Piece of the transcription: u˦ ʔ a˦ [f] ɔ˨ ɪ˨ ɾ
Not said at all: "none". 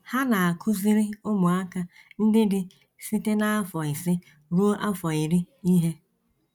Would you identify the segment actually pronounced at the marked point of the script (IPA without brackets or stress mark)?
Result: f